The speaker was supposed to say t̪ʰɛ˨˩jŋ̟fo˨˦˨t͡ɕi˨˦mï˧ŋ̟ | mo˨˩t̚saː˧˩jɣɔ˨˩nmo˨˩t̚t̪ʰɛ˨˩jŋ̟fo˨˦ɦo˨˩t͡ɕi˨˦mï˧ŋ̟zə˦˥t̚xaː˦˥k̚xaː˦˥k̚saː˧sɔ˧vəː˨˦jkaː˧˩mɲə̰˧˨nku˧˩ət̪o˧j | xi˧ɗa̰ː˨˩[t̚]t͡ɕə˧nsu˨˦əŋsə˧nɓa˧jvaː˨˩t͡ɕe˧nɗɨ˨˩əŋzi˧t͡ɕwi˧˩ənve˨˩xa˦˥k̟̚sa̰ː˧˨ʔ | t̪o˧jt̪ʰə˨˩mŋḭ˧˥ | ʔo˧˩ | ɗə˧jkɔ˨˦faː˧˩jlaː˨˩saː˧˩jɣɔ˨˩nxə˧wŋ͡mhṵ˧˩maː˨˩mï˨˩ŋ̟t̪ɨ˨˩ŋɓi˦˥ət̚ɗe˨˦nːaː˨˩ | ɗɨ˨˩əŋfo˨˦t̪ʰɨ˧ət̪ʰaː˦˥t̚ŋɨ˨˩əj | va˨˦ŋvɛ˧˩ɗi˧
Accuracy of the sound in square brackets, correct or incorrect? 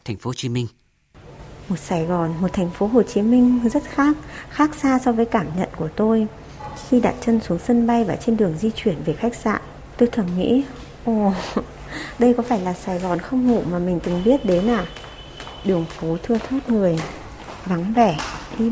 correct